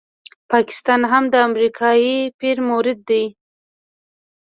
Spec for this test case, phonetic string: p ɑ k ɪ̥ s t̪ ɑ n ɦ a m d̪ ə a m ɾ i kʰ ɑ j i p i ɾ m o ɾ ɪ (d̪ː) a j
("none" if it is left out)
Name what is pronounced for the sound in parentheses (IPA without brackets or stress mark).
d̪ː